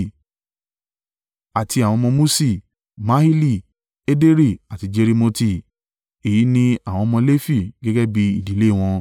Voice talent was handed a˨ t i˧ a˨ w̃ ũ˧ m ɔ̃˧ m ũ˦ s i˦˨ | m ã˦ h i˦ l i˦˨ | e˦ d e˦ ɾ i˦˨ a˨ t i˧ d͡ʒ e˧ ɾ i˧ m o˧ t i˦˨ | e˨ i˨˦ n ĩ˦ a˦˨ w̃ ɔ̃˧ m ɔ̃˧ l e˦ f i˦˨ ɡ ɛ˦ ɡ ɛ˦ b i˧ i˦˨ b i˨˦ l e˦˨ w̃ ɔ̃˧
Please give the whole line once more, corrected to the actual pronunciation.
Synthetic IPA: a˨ t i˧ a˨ w̃ ɔ̃˧ m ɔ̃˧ m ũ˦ s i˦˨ | m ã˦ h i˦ l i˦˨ | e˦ d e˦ ɾ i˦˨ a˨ t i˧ d͡ʒ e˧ ɾ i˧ m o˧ t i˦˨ | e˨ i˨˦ n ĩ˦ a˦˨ w̃ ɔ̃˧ m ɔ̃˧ l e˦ f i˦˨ ɡ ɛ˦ ɡ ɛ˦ b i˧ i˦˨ d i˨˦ l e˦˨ w̃ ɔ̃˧